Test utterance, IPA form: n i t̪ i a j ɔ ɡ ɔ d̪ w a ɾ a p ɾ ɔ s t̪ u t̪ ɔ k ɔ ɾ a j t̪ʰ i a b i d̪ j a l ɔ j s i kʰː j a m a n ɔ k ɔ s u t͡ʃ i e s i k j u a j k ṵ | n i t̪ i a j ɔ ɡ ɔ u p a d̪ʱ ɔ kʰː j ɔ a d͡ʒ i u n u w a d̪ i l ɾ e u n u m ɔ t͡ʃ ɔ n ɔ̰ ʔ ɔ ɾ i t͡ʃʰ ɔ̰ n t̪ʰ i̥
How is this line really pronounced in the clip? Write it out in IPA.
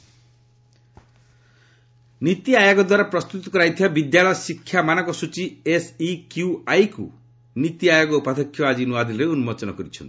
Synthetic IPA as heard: n i t̪ i a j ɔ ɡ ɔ d̪ w a ɾ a p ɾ ɔ s t̪ u t̪ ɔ k ɔ ɾ a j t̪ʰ i a b i d̪ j a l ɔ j s i kʰː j a m a n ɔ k ɔ s u t͡ʃ i e s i k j u a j k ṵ | n i t̪ i a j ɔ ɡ ɔ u p a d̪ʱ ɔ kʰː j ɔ a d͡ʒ i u n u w a d̪ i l ɾ e u n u m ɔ t͡ʃ ɔ n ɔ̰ k ɔ ɾ i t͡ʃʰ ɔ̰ n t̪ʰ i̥